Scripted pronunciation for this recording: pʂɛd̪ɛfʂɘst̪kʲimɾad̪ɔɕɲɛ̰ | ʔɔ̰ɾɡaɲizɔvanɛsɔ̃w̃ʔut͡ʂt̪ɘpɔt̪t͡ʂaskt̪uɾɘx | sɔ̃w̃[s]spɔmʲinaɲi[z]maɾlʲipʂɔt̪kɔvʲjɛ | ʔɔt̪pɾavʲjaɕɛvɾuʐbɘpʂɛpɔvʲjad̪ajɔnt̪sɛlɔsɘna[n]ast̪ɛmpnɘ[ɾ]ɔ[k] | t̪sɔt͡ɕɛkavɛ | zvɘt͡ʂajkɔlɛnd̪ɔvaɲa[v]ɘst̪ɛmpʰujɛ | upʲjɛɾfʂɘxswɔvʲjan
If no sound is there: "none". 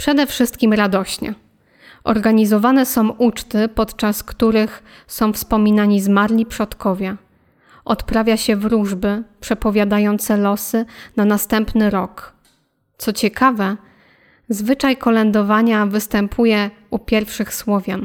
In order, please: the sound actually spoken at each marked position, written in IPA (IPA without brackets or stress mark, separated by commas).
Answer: f, z, n, ɾ, k, v